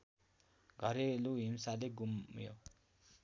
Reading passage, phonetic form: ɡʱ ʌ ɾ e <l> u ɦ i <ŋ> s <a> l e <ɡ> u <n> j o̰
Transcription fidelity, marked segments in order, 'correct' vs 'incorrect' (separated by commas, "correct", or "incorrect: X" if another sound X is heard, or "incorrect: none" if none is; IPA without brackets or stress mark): correct, incorrect: m, correct, correct, incorrect: m